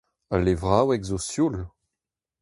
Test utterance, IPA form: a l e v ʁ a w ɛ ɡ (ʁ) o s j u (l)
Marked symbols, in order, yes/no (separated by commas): no, yes